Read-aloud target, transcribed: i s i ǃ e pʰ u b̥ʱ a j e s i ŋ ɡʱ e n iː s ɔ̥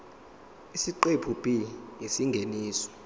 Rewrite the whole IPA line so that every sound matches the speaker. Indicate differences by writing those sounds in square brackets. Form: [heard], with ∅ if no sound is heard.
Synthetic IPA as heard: i s i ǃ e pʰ u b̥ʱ [i] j e s i ŋ ɡʱ e n iː s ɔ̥